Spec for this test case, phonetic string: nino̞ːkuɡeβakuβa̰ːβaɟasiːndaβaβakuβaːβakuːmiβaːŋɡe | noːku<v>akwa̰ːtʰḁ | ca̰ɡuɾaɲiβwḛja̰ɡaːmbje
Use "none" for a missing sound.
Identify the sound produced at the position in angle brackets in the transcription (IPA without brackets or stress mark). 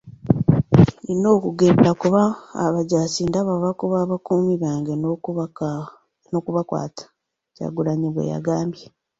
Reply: β